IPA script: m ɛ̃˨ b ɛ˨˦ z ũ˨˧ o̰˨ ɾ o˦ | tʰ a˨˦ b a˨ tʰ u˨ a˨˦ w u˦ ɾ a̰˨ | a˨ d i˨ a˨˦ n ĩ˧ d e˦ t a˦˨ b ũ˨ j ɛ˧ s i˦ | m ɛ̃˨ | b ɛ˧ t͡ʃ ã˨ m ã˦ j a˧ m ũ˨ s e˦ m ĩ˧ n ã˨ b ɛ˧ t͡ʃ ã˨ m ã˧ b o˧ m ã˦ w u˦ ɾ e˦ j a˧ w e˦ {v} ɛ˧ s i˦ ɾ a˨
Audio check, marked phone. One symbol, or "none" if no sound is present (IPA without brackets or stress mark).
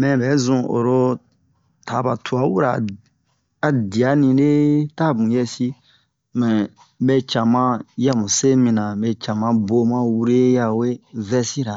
v